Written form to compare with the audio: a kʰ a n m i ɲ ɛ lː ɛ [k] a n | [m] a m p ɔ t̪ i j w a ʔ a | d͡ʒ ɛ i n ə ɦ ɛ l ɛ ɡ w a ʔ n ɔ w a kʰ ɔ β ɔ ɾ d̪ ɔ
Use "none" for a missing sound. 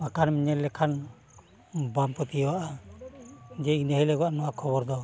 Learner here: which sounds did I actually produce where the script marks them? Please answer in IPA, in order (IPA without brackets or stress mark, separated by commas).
kʰ, b